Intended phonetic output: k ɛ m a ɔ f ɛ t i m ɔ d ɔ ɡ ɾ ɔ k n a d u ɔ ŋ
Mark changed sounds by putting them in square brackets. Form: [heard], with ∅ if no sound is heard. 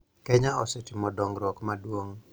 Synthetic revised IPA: k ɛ [ɲ] a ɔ [s] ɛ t i m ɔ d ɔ [ŋ] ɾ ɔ k [m] a d u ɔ ŋ